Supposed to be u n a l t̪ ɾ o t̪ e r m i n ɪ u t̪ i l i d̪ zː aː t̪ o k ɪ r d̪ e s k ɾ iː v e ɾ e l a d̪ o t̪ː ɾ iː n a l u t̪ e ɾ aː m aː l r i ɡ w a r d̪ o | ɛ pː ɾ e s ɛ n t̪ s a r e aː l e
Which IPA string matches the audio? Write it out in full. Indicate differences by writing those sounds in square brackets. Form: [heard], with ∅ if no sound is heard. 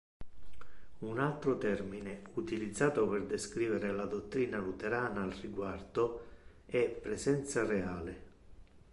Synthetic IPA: u n a l t̪ ɾ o t̪ [ɛ] r m i n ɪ u t̪ i l i d̪ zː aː t̪ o [p] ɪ r d̪ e s k ɾ iː v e ɾ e l a d̪ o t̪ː ɾ iː n a l u t̪ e ɾ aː [n] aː l r i ɡ w a r d̪ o | ɛ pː ɾ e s ɛ n t̪ s a r e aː l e

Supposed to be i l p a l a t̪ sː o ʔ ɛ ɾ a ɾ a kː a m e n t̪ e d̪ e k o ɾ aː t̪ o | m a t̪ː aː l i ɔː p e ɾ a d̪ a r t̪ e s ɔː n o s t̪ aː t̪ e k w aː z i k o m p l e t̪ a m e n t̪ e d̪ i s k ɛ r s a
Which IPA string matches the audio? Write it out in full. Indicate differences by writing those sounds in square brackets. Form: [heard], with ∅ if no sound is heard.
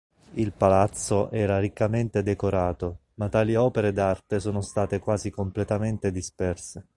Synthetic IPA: i l p a l a t̪ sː o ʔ [ɛː] ɾ a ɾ [i] kː a m e n t̪ e d̪ e k o ɾ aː t̪ o | m a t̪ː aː l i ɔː p e ɾ [e] d̪ a r t̪ e s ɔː n o s t̪ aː t̪ e k w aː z i k o m p l e t̪ a m e n t̪ e d̪ i s [p] ɛ r s [e]

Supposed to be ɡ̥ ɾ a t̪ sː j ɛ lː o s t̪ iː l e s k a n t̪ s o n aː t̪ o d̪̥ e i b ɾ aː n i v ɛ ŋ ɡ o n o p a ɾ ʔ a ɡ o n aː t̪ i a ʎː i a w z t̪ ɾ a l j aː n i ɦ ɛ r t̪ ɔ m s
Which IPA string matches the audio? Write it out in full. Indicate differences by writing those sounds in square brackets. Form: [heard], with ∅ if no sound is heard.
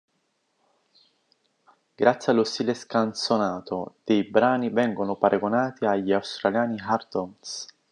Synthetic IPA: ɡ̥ ɾ a t̪ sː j [a] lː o s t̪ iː l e s k a n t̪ s o n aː t̪ o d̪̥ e [j] b ɾ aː n i v ɛ ŋ ɡ o n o p a ɾ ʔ a ɡ o n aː t̪ i a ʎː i a w [s] t̪ ɾ a l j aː n i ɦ [a] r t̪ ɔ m s

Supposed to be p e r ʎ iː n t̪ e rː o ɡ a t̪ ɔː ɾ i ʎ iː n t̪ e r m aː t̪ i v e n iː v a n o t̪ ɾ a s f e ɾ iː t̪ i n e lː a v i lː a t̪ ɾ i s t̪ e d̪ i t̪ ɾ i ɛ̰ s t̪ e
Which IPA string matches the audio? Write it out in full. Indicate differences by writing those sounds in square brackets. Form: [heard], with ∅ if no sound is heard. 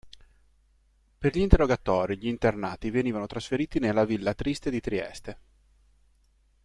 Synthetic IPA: p e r ʎ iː n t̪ e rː o ɡ a t̪ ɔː ɾ i ʎ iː n t̪ e r [n] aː t̪ i v e n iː v a n o t̪ ɾ a s f e ɾ iː t̪ i n e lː a v i lː a t̪ ɾ i s t̪ e d̪ i t̪ ɾ i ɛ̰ s t̪ e

